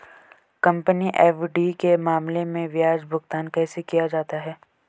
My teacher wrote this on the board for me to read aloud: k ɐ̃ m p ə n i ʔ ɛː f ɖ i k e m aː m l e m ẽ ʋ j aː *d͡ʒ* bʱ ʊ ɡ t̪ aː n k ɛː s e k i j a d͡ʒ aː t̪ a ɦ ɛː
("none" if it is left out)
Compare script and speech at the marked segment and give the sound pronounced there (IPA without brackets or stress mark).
d͡ʒ